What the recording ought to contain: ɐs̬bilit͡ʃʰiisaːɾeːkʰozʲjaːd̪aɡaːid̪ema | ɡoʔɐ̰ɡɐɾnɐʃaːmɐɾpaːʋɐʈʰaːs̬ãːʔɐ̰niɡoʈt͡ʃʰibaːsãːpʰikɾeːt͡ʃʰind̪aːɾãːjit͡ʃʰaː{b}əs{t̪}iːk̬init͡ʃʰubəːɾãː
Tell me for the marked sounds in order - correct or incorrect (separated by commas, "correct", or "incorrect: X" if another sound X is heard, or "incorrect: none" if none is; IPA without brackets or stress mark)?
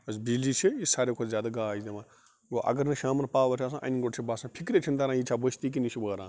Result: correct, correct